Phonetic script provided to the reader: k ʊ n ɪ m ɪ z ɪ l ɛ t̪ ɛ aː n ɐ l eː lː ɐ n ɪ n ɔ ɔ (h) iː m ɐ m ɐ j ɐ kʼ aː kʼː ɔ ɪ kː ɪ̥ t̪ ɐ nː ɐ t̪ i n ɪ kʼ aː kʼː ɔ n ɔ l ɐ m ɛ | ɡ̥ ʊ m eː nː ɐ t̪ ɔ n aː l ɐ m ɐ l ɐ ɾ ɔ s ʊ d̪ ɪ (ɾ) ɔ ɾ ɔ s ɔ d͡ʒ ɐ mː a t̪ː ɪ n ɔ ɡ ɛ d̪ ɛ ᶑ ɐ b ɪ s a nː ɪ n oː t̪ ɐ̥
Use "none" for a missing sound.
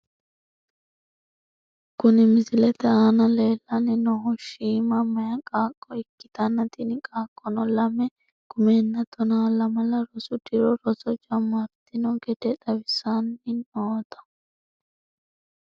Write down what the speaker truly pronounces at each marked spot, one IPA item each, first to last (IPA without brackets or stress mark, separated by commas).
ʃ, ɾ